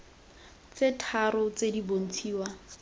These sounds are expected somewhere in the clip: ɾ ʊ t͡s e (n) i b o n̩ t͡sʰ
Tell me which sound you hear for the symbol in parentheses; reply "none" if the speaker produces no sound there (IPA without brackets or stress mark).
d